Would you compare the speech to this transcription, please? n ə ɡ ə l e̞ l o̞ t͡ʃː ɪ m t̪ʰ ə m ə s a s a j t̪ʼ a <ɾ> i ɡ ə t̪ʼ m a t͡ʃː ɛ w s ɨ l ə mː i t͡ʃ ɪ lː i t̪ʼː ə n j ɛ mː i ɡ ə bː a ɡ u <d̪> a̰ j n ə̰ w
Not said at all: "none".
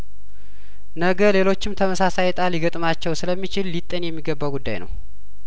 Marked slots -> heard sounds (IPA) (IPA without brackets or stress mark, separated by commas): l, d̪ː